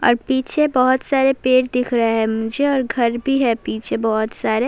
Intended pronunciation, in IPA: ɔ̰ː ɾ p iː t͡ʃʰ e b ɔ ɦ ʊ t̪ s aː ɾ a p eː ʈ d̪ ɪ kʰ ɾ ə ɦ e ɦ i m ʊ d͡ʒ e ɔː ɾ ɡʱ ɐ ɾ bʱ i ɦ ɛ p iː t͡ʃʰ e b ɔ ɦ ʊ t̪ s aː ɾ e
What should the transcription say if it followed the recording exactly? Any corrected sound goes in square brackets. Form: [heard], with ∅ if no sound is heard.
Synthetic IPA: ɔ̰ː ɾ p iː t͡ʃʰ e b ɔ ɦ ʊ t̪ s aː ɾ [e] p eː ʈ d̪ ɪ kʰ ɾ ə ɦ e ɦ [ɛ] m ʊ d͡ʒ e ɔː ɾ ɡʱ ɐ ɾ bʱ i ɦ ɛ p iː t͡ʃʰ e b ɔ ɦ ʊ t̪ s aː ɾ e